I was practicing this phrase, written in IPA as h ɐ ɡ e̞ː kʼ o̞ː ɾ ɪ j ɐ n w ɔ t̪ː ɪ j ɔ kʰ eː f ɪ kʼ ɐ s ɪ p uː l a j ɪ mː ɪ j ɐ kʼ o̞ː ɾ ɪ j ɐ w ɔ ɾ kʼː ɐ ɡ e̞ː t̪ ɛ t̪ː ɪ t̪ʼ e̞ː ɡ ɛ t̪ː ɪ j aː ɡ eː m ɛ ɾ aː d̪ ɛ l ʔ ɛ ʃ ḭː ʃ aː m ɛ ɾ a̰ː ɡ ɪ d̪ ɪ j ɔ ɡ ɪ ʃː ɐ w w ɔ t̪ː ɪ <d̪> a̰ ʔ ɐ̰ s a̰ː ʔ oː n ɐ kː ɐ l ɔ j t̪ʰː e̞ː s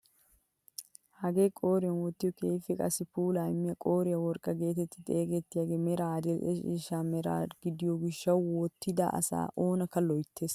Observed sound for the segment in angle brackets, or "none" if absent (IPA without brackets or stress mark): d̪